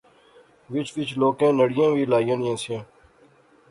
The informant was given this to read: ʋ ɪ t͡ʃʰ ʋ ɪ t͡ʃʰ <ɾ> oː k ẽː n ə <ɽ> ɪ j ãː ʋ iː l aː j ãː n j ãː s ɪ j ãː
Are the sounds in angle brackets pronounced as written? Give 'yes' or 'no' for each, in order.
no, yes

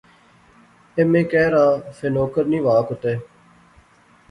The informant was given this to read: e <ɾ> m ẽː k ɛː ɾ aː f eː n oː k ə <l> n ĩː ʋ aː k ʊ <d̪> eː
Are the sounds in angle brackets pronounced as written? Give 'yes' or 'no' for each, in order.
no, no, no

